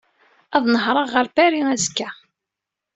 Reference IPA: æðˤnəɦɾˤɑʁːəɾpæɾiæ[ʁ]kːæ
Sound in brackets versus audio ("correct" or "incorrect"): incorrect